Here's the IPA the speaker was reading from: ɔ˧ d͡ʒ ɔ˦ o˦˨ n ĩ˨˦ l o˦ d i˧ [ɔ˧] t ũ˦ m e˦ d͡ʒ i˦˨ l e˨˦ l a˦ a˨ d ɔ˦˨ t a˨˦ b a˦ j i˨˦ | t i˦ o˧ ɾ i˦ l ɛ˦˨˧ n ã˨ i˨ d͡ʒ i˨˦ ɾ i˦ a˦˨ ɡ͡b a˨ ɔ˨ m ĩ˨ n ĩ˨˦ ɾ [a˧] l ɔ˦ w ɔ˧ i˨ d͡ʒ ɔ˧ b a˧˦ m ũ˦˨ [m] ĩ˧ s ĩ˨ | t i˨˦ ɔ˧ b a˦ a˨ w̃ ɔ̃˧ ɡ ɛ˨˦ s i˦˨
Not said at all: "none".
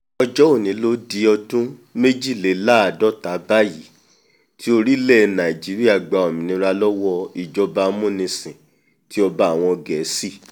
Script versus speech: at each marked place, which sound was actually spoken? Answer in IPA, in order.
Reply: ɔ˧, a˧, n

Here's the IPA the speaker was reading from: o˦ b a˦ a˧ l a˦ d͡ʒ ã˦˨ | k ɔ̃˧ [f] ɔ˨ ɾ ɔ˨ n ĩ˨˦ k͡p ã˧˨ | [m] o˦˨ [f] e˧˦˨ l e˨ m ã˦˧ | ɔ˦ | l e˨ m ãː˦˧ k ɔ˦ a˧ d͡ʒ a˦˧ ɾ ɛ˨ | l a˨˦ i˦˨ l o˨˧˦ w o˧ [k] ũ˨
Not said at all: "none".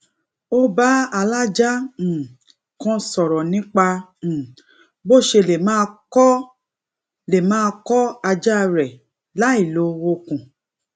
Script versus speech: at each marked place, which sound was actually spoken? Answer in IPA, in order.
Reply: s, b, ʃ, k

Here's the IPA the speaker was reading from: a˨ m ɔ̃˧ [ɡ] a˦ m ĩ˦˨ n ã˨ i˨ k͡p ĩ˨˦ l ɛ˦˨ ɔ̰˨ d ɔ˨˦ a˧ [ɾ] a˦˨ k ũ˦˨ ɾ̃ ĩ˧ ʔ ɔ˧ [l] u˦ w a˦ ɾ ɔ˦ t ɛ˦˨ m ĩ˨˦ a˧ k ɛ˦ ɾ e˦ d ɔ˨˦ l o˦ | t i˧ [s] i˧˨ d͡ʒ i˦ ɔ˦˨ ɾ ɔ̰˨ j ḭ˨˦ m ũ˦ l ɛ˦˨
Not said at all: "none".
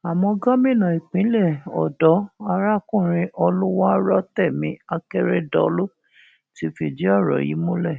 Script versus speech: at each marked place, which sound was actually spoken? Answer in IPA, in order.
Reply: ɡ, ɾ, l, f

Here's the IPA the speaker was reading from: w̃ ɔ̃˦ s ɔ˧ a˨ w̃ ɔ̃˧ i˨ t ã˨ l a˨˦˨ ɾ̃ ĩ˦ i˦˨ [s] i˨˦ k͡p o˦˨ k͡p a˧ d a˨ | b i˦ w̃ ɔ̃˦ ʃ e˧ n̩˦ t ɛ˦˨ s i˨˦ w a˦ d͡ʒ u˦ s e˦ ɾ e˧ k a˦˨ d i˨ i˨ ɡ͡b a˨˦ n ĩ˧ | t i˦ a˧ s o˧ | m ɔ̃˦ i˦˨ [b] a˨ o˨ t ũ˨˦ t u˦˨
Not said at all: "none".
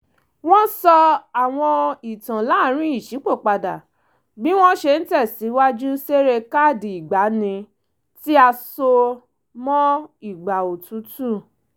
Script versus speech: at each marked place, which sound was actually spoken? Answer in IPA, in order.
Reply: ʃ, ɡ͡b

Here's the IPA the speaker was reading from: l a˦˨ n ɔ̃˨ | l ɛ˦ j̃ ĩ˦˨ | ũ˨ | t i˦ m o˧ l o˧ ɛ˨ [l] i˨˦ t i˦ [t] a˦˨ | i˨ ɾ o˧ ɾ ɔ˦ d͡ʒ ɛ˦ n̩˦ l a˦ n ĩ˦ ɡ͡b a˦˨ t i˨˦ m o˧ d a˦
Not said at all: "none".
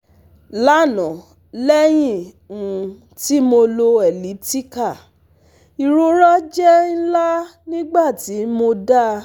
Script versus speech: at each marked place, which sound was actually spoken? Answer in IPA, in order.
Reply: l, k

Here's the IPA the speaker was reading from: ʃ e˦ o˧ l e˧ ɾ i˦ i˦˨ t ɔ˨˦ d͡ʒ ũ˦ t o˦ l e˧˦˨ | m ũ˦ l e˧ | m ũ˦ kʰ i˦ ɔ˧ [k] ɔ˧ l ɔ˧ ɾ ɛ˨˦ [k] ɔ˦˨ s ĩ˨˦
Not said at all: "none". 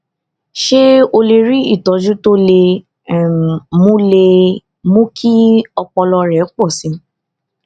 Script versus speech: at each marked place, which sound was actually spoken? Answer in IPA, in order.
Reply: k͡p, k͡p

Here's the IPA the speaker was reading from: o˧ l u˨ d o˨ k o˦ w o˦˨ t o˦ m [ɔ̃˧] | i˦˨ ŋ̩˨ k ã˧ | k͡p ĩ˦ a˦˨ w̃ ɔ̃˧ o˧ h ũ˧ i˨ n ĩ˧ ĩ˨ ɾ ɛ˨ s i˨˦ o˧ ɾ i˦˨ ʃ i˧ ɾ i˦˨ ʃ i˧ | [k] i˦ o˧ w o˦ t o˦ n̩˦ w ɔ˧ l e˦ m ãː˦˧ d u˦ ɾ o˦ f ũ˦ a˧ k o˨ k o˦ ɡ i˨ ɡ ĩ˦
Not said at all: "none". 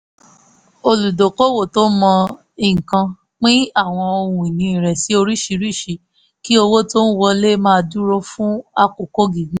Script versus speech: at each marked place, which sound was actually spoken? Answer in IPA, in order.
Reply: ɔ̃˧, k

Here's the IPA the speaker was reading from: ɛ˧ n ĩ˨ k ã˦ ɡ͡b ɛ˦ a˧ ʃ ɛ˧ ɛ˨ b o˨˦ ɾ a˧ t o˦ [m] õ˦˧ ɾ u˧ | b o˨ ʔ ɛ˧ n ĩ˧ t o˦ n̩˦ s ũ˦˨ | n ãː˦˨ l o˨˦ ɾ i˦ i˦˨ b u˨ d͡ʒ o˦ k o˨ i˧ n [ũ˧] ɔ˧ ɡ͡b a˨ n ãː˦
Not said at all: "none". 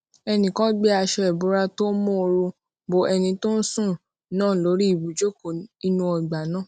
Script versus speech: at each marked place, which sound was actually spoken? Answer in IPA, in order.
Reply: m, ũ˧

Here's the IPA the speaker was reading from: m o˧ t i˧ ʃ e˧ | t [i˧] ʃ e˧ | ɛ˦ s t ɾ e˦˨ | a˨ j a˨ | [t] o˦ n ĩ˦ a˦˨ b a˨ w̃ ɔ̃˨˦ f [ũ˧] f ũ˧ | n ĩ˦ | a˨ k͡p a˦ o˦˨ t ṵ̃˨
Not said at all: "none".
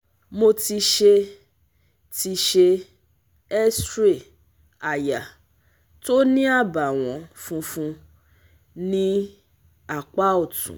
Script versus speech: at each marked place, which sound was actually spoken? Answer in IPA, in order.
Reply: i˧, t, ũ˧

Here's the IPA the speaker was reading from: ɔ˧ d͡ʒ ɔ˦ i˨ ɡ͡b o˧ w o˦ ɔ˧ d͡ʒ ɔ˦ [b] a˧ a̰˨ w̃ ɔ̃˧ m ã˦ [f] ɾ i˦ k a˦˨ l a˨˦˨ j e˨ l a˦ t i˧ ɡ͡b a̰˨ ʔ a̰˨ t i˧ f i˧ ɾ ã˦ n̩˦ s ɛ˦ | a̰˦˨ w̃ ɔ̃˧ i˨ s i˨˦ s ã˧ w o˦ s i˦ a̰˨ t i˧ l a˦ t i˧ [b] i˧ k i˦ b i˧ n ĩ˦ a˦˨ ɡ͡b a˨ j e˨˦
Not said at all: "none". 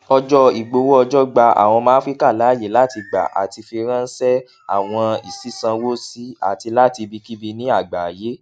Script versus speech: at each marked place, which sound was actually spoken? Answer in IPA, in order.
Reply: ɡ͡b, f, b

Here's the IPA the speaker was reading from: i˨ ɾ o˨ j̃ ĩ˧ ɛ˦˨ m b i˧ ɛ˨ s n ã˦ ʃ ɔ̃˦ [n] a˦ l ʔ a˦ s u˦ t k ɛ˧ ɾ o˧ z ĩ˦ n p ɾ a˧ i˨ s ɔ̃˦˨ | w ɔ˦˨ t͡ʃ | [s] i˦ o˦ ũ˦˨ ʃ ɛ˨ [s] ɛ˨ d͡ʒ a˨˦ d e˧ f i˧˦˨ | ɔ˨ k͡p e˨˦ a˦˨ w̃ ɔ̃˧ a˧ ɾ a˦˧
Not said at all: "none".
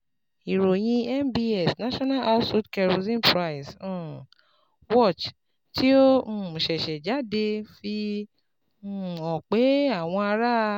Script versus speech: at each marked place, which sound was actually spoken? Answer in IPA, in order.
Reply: n, t, ʃ

